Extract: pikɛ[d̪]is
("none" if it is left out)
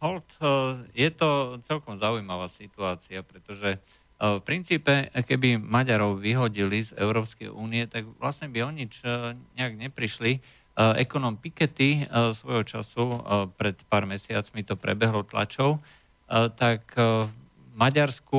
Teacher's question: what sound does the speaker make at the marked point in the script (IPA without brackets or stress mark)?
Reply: t̪